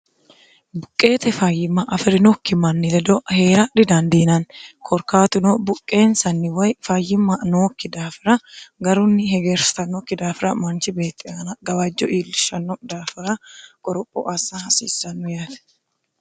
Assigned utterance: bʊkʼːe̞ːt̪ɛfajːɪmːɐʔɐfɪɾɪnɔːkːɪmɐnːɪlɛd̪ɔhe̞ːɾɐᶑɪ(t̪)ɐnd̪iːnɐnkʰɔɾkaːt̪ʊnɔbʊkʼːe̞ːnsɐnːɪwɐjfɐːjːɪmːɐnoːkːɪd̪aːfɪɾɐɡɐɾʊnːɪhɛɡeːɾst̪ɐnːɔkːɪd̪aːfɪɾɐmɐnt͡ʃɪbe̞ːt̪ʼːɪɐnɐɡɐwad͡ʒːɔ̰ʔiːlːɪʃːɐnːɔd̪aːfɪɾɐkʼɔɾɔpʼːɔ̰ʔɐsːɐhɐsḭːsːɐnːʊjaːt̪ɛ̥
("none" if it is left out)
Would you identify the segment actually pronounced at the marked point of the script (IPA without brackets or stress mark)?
d̪